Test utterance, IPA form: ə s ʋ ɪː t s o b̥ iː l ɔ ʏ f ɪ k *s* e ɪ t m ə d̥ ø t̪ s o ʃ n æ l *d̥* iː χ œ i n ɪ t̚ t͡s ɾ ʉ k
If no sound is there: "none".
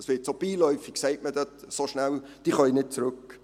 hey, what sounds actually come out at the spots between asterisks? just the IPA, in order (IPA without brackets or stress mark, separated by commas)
s, d̥